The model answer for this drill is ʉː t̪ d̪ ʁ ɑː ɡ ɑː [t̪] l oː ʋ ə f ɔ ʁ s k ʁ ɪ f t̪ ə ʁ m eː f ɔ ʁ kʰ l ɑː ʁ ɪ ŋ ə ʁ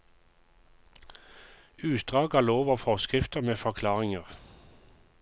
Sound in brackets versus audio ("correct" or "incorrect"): incorrect